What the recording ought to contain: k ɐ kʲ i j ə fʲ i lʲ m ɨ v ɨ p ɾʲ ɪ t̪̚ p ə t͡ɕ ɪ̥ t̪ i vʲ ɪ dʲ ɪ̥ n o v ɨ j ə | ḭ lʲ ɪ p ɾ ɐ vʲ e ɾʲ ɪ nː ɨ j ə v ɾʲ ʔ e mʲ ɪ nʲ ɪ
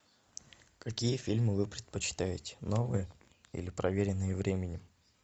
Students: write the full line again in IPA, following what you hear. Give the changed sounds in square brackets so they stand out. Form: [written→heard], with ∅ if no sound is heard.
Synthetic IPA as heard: k ɐ kʲ i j ə fʲ i lʲ m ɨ v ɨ p ɾʲ ɪ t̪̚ p ə t͡ɕ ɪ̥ t̪ [i→a] vʲ ɪ [dʲ→tʲ] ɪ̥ n o v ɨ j ə | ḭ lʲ ɪ p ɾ ɐ vʲ e ɾʲ ɪ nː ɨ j ə v ɾʲ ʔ e mʲ ɪ nʲ ɪ